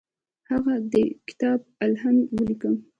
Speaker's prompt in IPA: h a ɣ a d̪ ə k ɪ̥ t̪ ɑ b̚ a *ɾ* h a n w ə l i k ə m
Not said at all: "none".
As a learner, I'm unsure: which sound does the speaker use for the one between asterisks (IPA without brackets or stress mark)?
l